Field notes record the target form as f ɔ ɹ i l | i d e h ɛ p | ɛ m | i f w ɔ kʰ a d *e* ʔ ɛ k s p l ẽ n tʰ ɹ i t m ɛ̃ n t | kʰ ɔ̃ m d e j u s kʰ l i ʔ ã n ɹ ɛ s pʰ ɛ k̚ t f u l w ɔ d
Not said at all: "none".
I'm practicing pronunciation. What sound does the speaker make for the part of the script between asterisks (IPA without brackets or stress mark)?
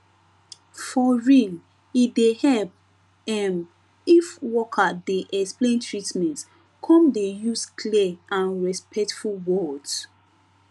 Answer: e